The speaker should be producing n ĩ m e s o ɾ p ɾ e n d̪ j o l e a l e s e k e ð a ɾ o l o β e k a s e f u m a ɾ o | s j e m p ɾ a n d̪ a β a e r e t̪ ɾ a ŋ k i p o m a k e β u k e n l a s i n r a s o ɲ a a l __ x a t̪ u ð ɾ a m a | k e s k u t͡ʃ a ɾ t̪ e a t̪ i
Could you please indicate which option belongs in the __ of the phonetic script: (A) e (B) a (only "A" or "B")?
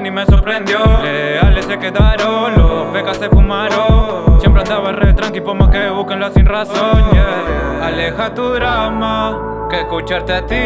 A